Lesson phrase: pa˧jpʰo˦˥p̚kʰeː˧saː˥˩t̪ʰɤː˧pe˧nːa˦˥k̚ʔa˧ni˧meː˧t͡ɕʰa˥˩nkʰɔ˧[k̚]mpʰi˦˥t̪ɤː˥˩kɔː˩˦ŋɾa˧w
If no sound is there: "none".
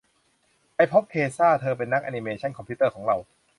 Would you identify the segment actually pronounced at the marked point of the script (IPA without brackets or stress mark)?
none